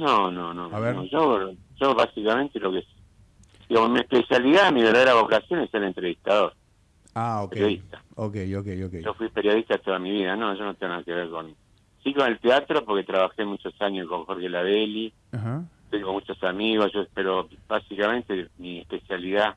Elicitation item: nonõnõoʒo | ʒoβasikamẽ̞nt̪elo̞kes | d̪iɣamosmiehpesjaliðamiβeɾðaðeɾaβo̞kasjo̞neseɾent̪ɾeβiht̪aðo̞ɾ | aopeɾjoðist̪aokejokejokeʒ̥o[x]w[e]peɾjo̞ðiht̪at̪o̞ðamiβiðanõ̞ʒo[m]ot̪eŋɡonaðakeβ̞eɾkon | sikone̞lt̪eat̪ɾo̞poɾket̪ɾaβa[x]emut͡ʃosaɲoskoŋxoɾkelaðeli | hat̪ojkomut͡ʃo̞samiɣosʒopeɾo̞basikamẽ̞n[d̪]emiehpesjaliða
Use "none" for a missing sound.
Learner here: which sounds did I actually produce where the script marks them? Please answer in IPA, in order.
f, i, n, x, t̪

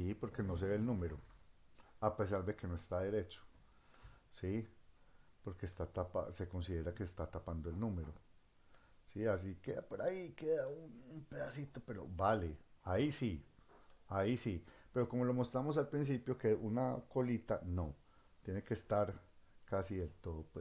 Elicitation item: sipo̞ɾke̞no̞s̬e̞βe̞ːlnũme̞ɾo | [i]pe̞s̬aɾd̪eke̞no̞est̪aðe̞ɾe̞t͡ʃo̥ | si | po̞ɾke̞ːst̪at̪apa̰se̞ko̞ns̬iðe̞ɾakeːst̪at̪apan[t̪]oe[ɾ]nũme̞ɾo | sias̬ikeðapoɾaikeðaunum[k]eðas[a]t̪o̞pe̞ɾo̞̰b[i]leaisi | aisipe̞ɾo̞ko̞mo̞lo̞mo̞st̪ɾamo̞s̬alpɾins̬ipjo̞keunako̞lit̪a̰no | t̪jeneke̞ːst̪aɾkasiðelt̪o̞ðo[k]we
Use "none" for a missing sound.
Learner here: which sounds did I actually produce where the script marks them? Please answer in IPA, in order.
a, d̪, l, p, i, a, p

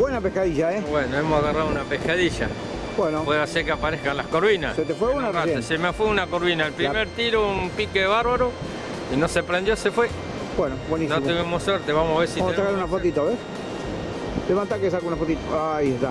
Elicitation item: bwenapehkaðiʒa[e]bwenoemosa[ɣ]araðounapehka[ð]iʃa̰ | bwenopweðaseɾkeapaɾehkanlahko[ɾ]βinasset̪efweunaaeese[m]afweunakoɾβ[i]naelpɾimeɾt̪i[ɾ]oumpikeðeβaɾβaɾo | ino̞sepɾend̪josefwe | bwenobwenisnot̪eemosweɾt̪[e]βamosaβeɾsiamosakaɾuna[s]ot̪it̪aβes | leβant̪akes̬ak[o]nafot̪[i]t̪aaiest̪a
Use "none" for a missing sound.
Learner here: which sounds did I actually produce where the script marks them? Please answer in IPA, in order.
e, ɣ, ð, ɾ, m, i, ɾ, e, f, u, i

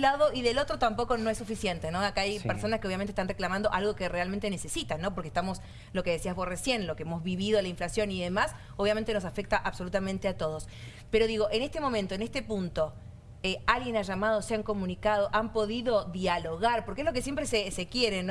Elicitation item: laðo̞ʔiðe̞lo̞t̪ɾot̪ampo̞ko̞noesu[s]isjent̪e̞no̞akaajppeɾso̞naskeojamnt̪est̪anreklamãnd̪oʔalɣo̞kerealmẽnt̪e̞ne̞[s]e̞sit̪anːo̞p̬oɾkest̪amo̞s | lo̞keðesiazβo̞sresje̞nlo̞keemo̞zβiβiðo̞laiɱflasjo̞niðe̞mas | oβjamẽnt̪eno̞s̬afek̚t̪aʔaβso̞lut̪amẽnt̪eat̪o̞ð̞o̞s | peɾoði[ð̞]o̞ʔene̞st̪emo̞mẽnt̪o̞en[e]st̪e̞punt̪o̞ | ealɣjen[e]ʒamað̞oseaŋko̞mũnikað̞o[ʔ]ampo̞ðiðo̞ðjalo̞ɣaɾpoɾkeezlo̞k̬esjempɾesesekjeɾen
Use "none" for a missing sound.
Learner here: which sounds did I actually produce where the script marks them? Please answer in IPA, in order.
f, s, ɣ̞, e, a, ʔ

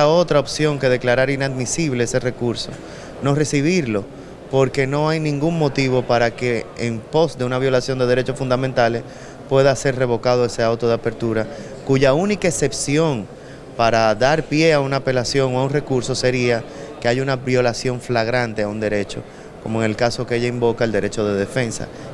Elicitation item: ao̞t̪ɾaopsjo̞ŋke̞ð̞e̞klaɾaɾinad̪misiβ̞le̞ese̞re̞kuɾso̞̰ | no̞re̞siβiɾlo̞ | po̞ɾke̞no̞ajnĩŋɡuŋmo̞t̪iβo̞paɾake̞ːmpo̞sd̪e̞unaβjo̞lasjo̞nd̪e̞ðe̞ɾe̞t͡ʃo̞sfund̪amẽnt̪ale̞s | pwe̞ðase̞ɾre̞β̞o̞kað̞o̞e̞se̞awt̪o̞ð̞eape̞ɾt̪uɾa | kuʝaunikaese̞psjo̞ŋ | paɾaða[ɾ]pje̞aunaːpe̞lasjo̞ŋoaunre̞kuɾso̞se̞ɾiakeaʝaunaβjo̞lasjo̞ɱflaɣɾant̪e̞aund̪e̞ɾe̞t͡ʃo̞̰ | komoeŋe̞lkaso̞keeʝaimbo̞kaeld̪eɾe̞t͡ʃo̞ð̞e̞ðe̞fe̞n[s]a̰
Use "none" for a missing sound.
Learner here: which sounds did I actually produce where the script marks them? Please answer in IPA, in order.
ɾ, s

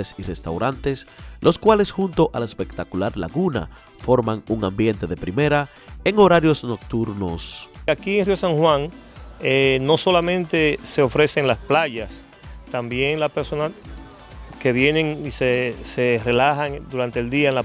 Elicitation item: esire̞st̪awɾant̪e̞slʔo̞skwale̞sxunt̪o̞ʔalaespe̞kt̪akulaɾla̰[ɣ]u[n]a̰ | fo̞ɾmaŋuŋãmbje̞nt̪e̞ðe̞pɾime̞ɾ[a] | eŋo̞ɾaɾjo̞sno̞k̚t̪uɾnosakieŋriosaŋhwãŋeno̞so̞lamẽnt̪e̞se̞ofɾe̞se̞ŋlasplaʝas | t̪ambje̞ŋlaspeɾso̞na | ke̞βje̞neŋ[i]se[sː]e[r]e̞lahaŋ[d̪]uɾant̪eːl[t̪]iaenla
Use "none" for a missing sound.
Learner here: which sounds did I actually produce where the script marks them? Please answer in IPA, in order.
ɣ, n, a, i, s, r, d̪, d̪

